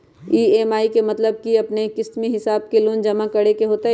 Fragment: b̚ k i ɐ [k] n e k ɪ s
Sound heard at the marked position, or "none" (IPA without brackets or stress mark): p